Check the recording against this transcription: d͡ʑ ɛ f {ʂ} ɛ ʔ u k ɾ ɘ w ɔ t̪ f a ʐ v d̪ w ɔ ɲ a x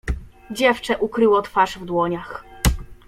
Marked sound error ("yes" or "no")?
yes